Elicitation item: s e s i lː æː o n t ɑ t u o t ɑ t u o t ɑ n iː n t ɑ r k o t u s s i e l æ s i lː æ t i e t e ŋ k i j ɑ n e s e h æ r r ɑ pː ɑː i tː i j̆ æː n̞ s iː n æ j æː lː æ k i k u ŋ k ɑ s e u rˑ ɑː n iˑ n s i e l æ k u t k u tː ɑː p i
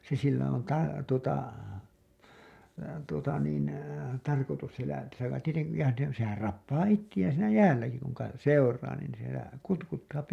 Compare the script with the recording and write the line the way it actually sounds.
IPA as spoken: s e s i lː æ o n t ɑ t u o t ɑ t u o t ɑ n iː n t ɑ r k o t u s s i e l æ s i lː æ t i e t e ŋ k i j ɑ n e s e h æ r r ɑ pː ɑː i tː i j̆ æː n̞ s iː n æ j æː lː æ k i k u ŋ k ɑ s e u rˑ ɑː n iˑ n s i e l æ k u t k u tː ɑː p i